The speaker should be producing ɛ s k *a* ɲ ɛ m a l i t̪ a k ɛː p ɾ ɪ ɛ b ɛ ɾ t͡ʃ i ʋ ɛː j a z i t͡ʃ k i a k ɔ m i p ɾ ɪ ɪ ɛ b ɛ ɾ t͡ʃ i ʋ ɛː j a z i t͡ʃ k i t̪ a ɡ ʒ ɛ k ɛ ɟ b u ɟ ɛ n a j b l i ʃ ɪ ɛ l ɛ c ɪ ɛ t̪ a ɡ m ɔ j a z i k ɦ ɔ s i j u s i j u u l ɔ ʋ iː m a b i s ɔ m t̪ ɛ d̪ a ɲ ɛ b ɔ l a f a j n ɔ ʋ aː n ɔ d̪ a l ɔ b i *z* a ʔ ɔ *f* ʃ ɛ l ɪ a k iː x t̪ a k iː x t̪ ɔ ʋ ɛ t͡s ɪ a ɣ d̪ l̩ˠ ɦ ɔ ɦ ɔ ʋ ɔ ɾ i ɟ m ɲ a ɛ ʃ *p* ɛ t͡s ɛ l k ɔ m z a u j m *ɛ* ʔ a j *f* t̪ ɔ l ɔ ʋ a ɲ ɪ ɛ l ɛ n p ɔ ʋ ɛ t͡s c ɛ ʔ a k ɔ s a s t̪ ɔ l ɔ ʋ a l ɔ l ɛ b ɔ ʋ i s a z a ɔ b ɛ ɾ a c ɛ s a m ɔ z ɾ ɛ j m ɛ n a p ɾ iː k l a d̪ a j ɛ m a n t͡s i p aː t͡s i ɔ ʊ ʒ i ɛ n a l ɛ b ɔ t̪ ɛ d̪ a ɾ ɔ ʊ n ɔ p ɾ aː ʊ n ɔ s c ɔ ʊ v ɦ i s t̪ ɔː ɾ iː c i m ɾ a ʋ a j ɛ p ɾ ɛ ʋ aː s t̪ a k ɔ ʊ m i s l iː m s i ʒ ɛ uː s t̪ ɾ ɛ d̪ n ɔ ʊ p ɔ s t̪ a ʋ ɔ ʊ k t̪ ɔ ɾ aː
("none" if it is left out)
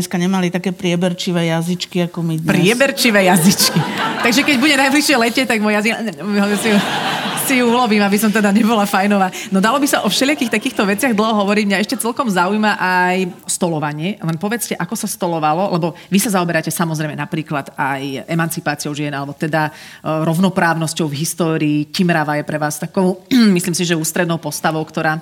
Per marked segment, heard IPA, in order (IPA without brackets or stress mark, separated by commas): a, s, f, c, a, s